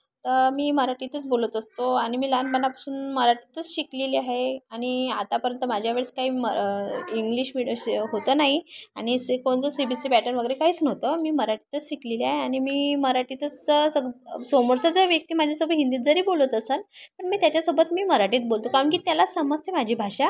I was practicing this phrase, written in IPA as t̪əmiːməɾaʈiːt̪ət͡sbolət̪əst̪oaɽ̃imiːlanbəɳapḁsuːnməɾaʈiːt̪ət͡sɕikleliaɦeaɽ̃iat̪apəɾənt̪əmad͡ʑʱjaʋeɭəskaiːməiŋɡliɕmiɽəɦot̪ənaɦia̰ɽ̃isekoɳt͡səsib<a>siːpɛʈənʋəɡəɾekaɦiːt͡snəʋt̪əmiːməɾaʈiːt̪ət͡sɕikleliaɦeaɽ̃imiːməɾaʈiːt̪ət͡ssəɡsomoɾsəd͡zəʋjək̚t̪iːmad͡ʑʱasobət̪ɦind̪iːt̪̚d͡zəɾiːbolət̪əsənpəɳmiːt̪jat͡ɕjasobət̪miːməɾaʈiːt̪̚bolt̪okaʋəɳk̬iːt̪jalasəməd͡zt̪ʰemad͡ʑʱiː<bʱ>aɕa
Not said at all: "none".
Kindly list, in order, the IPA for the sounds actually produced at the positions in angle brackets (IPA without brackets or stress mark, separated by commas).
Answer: i, bʱ